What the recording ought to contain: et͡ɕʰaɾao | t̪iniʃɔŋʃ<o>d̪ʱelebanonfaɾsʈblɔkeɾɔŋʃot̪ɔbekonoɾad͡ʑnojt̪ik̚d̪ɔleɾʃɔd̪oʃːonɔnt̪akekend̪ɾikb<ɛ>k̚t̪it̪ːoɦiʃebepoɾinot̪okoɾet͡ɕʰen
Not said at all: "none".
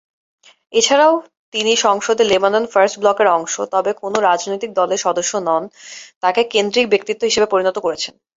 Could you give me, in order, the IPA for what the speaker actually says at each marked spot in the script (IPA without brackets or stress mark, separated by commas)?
o, e